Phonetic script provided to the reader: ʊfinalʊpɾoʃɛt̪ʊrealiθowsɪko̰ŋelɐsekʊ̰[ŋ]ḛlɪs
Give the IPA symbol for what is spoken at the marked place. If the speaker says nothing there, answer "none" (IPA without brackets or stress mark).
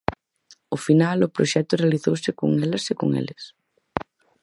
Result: ŋ